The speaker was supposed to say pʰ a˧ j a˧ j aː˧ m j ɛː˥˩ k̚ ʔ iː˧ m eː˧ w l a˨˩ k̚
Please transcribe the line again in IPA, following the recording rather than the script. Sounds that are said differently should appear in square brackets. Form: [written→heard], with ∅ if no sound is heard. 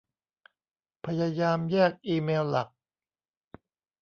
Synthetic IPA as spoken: pʰ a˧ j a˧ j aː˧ m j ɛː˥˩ k̚ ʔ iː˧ m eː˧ w l a˨˩ k̚

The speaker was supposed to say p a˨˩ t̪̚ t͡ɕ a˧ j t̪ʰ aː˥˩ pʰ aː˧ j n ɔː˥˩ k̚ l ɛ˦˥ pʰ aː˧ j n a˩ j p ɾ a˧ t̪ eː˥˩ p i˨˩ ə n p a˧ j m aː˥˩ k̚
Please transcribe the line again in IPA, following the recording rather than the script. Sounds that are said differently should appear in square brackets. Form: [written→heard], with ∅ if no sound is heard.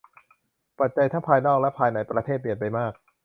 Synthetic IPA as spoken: p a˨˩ t̪̚ t͡ɕ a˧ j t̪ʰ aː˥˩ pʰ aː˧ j n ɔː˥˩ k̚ l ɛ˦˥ pʰ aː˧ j n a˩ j p ɾ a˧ [t̪→t̪ʰ] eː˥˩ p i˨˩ ə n p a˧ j m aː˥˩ k̚

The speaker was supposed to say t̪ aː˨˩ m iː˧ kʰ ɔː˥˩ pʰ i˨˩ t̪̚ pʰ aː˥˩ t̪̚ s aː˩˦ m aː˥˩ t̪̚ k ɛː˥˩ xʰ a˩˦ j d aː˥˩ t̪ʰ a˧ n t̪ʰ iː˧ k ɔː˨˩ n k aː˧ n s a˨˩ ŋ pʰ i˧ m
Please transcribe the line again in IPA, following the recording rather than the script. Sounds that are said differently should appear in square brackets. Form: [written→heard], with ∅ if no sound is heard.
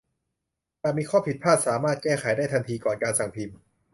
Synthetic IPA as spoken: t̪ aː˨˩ m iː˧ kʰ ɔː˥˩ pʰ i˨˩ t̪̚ pʰ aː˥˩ t̪̚ s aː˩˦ m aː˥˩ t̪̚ k ɛː˥˩ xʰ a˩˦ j d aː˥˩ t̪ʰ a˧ n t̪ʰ iː˧ k ɔː˨˩ n k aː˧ n s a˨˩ ŋ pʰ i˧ m

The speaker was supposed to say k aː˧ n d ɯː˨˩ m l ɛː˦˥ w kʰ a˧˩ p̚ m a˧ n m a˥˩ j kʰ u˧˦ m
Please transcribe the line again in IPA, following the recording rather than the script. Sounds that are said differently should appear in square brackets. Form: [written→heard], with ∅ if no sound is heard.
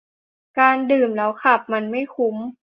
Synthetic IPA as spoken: k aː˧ n d ɯː˨˩ m l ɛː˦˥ w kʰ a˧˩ p̚ m a˧ n m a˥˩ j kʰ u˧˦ m

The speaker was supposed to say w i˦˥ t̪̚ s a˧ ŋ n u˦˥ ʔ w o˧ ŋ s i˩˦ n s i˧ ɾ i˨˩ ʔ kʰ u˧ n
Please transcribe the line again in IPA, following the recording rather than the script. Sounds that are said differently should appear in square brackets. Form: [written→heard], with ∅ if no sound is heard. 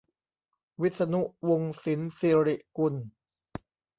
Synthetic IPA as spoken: w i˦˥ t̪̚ s a˧ [ŋ→∅] n u˦˥ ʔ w o˧ ŋ s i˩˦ n s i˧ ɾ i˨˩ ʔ [kʰ→k] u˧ n

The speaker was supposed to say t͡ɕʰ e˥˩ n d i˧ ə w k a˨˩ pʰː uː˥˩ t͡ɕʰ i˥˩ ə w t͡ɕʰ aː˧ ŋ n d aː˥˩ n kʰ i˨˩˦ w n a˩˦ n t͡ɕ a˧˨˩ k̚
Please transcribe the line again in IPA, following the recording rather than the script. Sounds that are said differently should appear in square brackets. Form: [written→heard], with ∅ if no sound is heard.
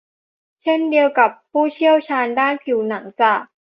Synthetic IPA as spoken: t͡ɕʰ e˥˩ n d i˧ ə w k a˨˩ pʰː uː˥˩ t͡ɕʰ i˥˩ ə w t͡ɕʰ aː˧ [ŋ→∅] n d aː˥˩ n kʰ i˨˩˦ w n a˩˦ [n→ŋ] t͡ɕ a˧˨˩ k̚

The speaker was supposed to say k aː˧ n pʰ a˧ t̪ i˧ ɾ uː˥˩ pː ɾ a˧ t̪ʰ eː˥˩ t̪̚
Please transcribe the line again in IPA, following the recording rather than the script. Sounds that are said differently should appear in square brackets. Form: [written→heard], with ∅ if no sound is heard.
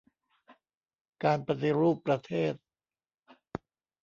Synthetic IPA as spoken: k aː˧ n [pʰ→p] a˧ t̪ i˧ ɾ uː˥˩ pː ɾ a˧ t̪ʰ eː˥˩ t̪̚

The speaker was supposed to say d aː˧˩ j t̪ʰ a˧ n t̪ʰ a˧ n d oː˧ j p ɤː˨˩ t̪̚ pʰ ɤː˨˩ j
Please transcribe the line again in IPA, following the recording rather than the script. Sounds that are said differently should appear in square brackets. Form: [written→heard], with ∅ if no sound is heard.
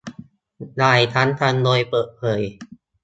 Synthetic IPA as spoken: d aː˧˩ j t̪ʰ [a˧→a˦˥] n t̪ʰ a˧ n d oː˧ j p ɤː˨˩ t̪̚ pʰ ɤː˨˩ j

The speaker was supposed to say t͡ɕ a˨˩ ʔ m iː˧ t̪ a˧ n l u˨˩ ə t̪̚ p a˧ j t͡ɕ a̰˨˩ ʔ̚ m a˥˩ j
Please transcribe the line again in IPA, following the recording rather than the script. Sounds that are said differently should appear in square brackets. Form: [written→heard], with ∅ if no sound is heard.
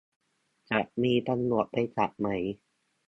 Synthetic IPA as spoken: t͡ɕ a˨˩ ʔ m iː˧ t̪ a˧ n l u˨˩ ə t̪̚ p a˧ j t͡ɕ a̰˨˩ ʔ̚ m [a˥˩→a˩˦] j

